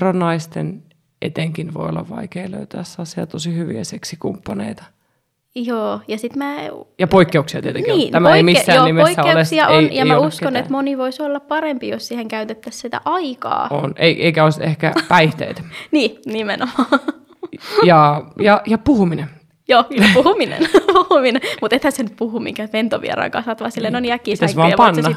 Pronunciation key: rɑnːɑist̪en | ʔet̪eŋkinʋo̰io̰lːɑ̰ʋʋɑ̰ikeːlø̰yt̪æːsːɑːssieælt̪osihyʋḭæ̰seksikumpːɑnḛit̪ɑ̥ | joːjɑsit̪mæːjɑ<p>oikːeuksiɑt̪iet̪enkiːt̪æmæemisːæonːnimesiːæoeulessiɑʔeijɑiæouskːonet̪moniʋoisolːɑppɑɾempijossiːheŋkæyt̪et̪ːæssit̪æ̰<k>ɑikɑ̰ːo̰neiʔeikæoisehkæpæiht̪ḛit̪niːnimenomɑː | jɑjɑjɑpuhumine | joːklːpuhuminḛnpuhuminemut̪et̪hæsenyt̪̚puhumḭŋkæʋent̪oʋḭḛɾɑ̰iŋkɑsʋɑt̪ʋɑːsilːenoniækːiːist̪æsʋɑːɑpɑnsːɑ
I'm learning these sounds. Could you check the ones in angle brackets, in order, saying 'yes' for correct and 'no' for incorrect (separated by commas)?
yes, no